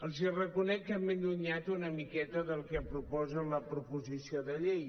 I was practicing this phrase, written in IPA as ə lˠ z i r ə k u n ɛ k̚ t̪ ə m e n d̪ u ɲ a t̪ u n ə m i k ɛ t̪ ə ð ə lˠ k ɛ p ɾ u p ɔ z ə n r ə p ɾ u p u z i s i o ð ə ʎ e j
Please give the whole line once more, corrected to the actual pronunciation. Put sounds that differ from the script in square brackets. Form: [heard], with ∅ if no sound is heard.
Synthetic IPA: ə lˠ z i r ə k u n ɛ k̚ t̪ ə m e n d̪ u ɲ a t̪ u n ə m i k ɛ t̪ ə ð ə lˠ k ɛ p ɾ u p ɔ z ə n [l] ə p ɾ u p u z i s i o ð ə ʎ e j